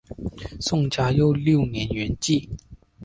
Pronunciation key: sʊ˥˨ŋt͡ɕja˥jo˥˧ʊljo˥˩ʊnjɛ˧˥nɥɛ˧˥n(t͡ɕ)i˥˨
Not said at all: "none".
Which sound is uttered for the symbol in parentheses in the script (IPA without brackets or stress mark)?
t͡ɕ